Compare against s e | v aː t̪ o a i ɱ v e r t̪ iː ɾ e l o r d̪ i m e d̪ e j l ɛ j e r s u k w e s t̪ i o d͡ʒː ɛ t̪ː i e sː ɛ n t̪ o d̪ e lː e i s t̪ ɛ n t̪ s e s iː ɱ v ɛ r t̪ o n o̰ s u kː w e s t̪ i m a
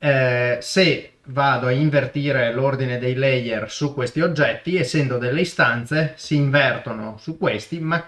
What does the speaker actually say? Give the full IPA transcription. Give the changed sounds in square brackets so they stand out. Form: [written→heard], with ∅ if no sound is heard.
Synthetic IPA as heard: s e | v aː [t̪→d̪] o a i ɱ v e r t̪ iː ɾ e l o r d̪ i [m→n] e d̪ e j l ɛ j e r s u k w e s t̪ i o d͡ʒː ɛ t̪ː i e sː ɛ n [t̪→d̪] o d̪ e lː e i s t̪ [ɛ→a] n t̪ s e s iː ɱ v ɛ r t̪ o n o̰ s u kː w e s t̪ i m a

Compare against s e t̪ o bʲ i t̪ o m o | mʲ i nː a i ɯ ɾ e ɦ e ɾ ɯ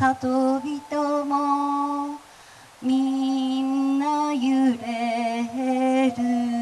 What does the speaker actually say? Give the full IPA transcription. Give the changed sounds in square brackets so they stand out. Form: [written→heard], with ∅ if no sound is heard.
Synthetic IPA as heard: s [e→a] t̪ o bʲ i t̪ o m o | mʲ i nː a [i→j] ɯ ɾ e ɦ e ɾ ɯ

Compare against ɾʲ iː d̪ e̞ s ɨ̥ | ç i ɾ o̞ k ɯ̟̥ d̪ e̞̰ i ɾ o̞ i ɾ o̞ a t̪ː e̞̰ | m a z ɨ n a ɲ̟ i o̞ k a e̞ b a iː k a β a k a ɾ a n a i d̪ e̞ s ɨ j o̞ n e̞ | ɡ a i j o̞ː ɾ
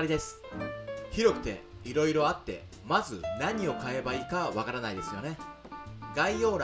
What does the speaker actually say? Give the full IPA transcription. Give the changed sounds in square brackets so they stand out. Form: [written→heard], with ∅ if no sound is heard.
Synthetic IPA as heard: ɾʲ [iː→i] d̪ e̞ s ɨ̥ | ç i ɾ o̞ k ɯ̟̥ [d̪→t̪] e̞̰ i ɾ o̞ i ɾ o̞ a t̪ː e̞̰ | m a z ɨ n a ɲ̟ i o̞ k a e̞ b a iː k a β a k a ɾ a n a i d̪ e̞ s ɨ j o̞ n e̞ | ɡ a i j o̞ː ɾ

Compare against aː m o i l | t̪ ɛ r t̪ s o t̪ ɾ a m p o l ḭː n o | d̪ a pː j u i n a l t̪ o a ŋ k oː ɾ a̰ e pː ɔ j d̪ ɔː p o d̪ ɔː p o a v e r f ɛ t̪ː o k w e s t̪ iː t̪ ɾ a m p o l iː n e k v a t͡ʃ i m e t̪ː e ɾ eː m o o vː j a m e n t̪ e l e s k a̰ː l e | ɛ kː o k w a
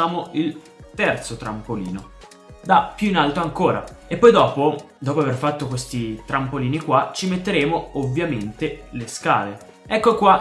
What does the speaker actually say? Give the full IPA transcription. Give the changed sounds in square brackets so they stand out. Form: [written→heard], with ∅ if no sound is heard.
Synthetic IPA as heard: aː m o i l | t̪ ɛ r t̪ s o t̪ ɾ a m p o l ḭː n o | d̪ a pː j u i n a l t̪ o a ŋ k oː ɾ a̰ e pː ɔ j d̪ ɔː p o d̪ ɔː p o a v e r f [ɛ→a] t̪ː o k w e s t̪ [iː→i] t̪ ɾ a m p o l iː n [e→i] k [v→w] a t͡ʃ i m e t̪ː e ɾ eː m o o vː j a m e n t̪ e l e s k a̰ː l e | ɛ kː o k w a

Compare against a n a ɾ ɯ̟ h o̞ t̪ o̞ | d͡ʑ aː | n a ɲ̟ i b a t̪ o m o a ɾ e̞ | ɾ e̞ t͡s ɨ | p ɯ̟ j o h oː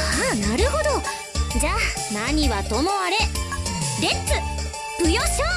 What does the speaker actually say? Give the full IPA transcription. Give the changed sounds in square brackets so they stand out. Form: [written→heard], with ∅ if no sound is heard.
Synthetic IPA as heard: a n a ɾ ɯ̟ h o̞ [t̪→d̪] o̞ | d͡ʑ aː | n a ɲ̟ i [b→β] a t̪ o m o a ɾ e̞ | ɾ e̞ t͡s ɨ | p ɯ̟ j o [h→ɕ] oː

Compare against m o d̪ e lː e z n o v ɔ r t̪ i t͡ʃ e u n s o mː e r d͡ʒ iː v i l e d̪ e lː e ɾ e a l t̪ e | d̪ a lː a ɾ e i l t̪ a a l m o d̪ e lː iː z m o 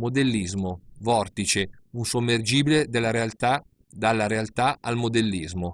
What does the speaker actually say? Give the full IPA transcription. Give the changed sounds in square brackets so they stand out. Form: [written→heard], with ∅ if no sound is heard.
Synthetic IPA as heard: m o d̪ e lː [e→i] z [n→m] o v ɔ r t̪ i t͡ʃ e u n s o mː e r d͡ʒ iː [v→b] i l e d̪ e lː [e→a] ɾ e a l t̪ [e→a] | d̪ a lː a ɾ e [i→a] l t̪ a a l m o d̪ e lː [iː→i] z m o

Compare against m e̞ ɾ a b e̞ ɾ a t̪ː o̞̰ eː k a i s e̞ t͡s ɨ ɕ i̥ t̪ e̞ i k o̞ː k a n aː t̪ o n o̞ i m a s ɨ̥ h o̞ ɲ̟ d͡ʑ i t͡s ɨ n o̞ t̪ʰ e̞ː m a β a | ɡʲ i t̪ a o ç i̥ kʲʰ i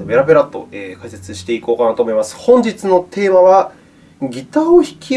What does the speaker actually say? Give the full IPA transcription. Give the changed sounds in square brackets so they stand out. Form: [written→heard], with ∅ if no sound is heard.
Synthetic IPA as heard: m e̞ ɾ a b e̞ ɾ a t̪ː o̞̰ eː k a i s e̞ t͡s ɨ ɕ i̥ t̪ e̞ i k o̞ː k a n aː t̪ o [n→m] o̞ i m a s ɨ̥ h [o̞→õ̞] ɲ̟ d͡ʑ i t͡s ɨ n o̞ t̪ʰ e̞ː m a β a | ɡʲ i t̪ a o ç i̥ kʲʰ i

